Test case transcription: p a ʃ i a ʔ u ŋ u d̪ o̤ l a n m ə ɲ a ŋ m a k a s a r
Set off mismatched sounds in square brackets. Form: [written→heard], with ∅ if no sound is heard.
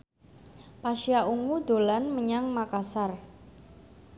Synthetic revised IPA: p a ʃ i a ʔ u ŋ u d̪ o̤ l a n m ə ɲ a ŋ m a k a s a r